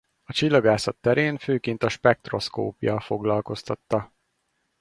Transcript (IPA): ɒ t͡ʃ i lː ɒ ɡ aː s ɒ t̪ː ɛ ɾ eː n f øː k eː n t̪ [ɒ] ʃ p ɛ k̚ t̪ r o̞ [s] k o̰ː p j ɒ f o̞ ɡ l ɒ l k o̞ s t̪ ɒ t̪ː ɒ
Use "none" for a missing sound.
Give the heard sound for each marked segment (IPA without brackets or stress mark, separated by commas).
ɒ, s